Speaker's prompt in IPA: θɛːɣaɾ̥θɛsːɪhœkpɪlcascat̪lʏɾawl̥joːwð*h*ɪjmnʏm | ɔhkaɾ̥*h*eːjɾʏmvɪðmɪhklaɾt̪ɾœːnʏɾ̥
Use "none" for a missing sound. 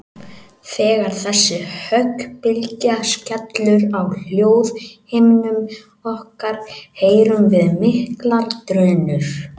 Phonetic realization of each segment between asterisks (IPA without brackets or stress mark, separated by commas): h, h